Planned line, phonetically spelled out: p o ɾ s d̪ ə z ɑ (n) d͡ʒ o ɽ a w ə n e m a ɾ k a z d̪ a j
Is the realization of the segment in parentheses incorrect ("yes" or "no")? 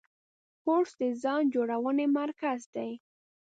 no